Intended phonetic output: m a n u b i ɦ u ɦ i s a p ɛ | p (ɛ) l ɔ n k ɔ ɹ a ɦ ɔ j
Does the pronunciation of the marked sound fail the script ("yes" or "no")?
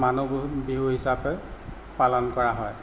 yes